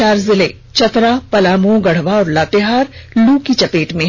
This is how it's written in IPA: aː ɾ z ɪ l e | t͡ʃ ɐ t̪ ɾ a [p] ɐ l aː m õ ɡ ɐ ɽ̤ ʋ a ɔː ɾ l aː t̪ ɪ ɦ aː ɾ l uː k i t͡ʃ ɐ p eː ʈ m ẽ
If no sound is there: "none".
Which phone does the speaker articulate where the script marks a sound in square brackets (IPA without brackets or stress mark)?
p